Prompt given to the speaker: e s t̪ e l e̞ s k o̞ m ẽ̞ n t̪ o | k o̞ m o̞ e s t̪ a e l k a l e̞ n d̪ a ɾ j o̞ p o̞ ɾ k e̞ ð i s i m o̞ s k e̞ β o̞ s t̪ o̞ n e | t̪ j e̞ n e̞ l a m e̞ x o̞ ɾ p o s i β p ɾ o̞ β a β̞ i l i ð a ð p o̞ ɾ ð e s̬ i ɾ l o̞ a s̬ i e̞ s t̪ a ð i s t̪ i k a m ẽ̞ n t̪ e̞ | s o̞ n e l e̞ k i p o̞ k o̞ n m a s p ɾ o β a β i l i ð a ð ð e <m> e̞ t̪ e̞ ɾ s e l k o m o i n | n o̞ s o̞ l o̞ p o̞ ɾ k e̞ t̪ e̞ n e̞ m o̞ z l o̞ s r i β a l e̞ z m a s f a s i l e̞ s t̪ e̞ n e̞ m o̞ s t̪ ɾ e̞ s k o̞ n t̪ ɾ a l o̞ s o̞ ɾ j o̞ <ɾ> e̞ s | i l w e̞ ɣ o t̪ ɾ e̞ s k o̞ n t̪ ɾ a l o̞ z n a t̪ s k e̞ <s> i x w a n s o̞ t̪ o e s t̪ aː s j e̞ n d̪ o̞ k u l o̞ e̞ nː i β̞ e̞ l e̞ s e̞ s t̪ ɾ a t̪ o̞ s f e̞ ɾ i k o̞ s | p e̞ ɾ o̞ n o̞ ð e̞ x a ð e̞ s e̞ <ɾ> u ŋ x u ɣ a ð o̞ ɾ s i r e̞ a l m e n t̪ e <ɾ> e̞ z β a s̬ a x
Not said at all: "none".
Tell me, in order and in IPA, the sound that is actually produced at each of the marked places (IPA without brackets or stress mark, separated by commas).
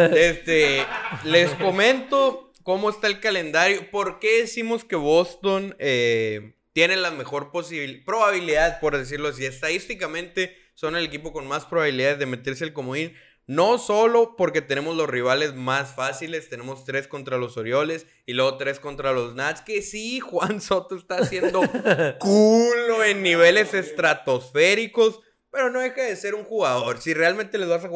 m, l, s, ɾ, l